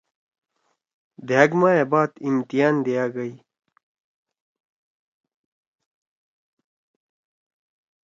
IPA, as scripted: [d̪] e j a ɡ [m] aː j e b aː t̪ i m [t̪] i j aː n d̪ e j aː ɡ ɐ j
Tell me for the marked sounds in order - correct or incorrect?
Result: correct, correct, correct

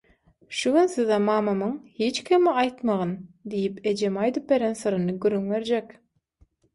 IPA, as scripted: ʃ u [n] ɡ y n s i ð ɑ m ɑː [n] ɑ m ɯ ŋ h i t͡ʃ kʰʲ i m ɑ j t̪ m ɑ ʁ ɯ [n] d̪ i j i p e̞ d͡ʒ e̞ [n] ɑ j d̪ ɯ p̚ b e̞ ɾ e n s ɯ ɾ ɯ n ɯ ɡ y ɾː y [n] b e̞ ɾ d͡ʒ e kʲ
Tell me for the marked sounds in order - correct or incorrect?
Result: incorrect: none, incorrect: m, correct, incorrect: m, incorrect: ŋ

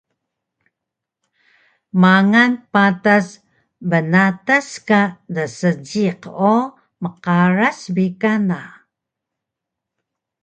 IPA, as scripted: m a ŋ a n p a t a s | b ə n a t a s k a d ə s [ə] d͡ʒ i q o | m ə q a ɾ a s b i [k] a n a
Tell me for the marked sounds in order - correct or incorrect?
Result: correct, correct

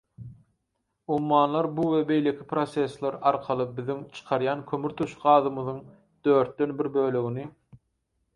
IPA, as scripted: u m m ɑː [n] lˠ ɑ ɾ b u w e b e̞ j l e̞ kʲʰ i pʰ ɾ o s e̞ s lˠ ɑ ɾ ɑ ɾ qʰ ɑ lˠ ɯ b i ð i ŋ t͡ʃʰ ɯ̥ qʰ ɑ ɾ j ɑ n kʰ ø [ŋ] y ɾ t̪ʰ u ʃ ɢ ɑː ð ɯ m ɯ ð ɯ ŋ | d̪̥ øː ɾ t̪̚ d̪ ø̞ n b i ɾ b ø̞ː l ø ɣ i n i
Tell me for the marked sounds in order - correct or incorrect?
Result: correct, incorrect: m

